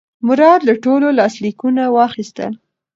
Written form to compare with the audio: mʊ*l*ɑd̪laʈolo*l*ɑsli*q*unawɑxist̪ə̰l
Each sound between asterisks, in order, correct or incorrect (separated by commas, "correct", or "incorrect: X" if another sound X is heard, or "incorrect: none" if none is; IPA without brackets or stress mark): incorrect: ɾ, correct, incorrect: k